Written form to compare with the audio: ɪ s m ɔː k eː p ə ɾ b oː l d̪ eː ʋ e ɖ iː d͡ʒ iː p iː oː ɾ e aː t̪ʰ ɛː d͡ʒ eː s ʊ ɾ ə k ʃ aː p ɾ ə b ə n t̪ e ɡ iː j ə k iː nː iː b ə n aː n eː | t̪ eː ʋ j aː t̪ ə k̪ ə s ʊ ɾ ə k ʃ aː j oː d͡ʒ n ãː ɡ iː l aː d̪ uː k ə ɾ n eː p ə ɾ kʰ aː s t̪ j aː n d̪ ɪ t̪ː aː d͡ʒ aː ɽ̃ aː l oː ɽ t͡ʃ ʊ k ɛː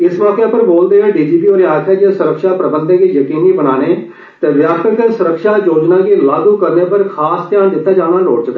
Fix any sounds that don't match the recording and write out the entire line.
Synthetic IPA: ɪ s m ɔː k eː p ə ɾ b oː l d̪ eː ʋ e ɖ iː d͡ʒ iː p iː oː ɾ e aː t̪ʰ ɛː d͡ʒ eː s ʊ ɾ ə k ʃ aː p ɾ ə b ə n d̪ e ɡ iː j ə k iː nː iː b ə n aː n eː | t̪ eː ʋ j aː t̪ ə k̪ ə s ʊ ɾ ə k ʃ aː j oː d͡ʒ n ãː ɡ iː l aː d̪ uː k ə ɾ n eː p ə ɾ kʰ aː s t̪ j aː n d̪ ɪ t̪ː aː d͡ʒ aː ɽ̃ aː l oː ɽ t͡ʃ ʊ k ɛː